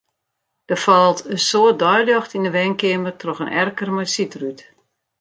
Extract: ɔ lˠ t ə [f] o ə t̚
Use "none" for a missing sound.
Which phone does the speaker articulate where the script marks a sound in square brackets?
s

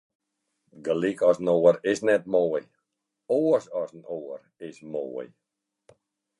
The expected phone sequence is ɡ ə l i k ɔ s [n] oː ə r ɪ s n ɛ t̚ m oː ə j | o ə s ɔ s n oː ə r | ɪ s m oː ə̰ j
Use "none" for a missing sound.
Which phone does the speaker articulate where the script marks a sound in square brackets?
n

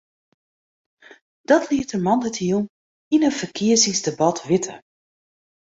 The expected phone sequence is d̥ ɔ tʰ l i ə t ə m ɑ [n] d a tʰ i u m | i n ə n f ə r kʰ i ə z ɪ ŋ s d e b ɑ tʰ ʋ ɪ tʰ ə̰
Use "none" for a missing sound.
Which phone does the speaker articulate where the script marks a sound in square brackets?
n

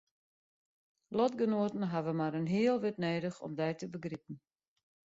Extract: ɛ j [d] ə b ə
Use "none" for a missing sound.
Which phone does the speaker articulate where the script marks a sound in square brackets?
t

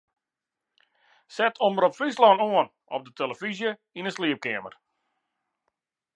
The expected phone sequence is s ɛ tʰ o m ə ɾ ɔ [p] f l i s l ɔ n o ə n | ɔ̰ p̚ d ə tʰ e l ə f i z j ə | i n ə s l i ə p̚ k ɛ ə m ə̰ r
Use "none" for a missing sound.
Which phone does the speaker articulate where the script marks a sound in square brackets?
p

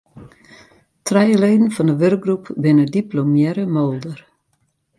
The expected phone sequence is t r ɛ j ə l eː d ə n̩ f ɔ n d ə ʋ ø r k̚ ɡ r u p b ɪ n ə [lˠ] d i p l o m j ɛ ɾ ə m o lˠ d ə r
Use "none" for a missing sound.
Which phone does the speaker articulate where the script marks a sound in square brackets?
none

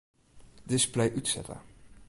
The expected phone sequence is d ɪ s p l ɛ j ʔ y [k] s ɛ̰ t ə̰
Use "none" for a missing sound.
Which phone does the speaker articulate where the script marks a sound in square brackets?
t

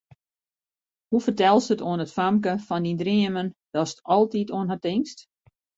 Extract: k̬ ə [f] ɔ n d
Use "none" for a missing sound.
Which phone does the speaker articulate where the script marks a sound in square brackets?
f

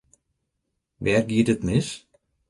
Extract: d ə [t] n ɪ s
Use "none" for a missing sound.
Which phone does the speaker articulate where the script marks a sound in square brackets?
t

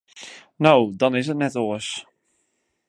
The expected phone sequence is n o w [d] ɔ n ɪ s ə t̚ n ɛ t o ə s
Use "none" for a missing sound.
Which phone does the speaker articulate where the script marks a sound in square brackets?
d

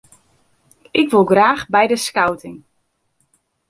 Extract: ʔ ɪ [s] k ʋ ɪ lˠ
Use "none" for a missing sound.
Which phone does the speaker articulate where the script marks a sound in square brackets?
none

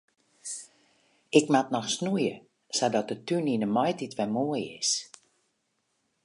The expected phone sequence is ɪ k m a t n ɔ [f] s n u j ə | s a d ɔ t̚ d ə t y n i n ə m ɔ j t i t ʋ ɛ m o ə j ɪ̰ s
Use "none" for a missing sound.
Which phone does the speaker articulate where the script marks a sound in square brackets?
x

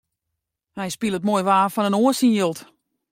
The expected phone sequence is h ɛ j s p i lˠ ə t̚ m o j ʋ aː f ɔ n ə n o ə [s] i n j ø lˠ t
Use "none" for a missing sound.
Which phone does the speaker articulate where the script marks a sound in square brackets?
s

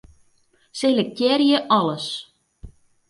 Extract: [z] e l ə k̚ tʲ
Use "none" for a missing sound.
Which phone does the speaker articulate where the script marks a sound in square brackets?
s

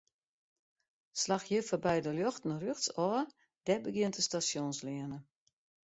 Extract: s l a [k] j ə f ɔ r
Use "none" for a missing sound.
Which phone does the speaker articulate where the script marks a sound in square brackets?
x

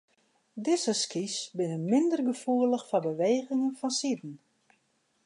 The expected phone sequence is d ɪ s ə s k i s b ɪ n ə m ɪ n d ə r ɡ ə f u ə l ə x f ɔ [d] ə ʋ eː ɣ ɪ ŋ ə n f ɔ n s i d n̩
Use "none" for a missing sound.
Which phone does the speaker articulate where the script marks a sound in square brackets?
b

